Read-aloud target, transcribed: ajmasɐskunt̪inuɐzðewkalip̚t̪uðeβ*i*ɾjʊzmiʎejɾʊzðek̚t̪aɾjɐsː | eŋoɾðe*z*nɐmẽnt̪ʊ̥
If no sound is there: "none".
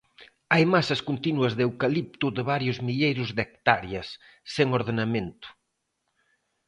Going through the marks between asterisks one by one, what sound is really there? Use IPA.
a, none

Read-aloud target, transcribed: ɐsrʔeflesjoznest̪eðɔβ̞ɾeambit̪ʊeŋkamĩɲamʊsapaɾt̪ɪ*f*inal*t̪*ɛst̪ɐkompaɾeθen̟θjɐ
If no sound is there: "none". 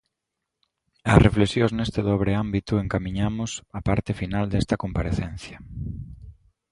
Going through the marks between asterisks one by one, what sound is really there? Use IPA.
f, d̪

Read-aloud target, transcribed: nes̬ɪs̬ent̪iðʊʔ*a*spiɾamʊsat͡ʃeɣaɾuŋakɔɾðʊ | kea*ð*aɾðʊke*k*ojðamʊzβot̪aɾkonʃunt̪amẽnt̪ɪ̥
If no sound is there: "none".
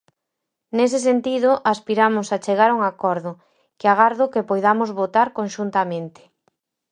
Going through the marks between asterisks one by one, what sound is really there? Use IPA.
a, ɣ, p

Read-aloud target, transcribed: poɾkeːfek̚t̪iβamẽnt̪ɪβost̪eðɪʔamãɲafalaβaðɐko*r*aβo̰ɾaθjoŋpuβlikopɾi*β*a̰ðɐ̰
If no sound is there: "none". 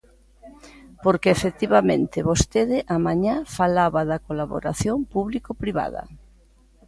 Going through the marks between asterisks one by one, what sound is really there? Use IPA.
l, β

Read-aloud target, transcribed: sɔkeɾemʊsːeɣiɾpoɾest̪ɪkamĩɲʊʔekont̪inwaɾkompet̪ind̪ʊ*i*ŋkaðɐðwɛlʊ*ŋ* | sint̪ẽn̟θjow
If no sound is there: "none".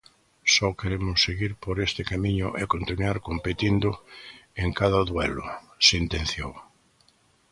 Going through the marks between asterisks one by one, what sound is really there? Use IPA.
e, none

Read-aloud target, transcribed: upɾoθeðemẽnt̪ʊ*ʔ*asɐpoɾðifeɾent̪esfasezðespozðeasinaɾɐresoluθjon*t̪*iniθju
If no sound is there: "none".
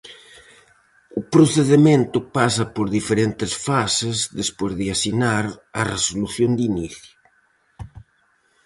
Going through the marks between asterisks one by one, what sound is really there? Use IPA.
p, d̪

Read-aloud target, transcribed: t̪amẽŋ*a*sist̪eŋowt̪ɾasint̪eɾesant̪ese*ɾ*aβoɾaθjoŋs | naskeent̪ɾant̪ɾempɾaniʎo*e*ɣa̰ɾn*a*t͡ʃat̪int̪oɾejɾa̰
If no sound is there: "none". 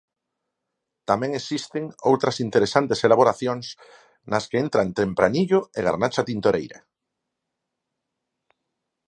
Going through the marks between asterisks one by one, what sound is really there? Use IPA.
e, l, e, a

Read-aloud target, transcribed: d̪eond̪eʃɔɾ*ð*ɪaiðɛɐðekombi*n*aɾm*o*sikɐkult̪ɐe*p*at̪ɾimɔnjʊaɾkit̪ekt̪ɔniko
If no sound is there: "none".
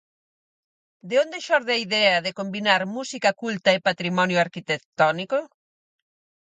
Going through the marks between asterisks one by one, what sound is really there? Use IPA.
ð, n, u, p

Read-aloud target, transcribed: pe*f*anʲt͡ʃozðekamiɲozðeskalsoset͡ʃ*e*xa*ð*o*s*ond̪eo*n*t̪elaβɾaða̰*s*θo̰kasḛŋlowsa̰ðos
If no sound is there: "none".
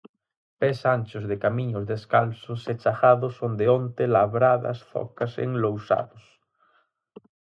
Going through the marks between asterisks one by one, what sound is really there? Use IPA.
s, a, ð, s, n, s

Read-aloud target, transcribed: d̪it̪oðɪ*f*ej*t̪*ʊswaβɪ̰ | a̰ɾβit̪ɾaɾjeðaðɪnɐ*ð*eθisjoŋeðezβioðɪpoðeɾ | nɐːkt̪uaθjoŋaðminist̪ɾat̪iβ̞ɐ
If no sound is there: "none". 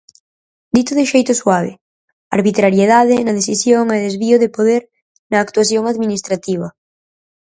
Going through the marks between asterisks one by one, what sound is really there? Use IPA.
ʃ, t̪, ð

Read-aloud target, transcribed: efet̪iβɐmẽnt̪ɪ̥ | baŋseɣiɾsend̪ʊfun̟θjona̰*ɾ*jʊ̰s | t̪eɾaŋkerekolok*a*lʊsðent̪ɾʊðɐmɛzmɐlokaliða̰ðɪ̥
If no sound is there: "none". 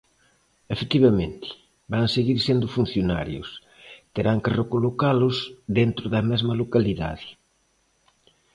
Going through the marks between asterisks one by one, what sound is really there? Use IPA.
ɾ, a

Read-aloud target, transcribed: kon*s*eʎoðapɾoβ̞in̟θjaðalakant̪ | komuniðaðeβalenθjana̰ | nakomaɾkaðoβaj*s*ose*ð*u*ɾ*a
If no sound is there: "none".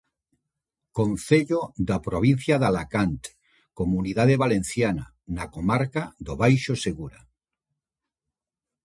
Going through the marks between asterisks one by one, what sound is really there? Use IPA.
θ, ʃ, ɣ, ɾ

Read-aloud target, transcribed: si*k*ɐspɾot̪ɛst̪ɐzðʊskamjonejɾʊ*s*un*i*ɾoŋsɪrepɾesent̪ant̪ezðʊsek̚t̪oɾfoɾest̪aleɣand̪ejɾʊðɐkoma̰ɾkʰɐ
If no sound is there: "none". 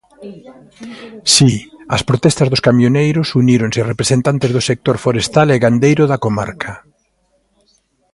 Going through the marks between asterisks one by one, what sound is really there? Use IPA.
none, s, i

